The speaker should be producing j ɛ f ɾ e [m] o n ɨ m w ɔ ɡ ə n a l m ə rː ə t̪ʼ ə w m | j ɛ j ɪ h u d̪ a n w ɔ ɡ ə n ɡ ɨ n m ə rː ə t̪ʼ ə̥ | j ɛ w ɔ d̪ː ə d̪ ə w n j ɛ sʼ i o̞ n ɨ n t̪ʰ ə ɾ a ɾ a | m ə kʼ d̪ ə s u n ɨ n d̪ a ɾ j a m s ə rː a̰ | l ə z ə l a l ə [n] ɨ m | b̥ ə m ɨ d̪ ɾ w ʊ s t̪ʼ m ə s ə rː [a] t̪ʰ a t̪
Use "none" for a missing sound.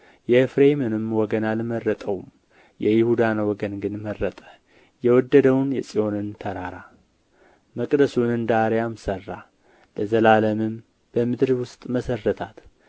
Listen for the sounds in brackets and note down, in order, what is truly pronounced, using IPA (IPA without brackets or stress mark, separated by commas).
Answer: m, m, ə